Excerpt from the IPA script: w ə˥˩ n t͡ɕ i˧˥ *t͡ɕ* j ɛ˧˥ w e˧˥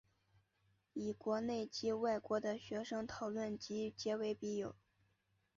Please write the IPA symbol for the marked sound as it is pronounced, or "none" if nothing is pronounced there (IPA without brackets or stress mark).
t͡ɕ